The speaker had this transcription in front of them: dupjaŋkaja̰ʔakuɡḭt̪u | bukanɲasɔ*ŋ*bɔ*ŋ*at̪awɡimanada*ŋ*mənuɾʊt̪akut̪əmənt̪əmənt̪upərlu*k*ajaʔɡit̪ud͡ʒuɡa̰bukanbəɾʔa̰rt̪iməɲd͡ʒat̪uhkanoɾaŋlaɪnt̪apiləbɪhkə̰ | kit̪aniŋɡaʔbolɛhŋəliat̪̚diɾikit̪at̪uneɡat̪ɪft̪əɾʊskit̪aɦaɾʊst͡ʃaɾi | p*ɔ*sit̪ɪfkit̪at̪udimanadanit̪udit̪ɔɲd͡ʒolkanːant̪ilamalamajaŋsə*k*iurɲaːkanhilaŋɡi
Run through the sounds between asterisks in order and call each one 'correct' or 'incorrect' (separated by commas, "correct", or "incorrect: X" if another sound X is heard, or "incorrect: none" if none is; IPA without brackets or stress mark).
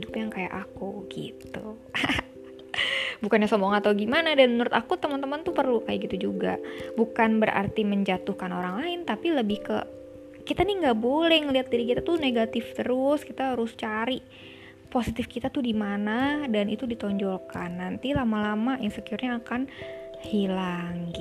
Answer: incorrect: m, correct, incorrect: n, correct, incorrect: o, correct